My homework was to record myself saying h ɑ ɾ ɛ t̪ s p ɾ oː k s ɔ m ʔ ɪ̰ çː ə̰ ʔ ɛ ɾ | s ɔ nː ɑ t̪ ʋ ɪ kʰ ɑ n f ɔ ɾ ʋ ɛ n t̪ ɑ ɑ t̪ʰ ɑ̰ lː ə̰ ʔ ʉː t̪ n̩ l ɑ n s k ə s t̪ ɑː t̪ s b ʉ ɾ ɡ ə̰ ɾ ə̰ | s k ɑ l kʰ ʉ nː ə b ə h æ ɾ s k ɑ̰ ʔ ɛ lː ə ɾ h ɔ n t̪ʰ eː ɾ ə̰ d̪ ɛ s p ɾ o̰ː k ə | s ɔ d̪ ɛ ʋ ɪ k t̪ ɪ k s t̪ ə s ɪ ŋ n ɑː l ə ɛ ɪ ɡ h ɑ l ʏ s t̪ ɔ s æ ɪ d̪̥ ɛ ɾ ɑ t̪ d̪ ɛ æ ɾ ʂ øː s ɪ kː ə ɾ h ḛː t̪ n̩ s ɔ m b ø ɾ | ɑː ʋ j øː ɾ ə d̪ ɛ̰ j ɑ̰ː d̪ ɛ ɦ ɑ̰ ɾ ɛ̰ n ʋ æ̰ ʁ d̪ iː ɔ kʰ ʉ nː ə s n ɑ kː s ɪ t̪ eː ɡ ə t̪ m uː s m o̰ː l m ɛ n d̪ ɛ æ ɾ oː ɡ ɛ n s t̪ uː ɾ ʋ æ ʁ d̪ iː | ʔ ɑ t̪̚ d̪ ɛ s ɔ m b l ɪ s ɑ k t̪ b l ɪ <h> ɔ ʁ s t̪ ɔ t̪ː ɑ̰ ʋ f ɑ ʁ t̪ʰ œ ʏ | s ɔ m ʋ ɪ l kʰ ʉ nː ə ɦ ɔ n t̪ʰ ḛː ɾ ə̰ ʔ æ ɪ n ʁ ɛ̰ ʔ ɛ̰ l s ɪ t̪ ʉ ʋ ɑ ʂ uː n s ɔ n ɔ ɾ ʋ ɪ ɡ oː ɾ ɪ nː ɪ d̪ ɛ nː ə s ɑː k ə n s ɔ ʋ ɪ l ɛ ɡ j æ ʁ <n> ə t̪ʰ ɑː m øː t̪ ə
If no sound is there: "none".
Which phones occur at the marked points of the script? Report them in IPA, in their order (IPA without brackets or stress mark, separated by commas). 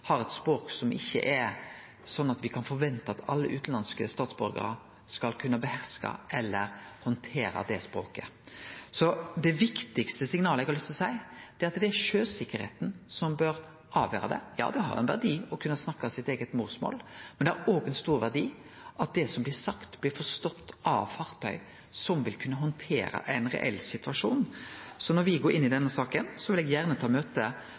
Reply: f, n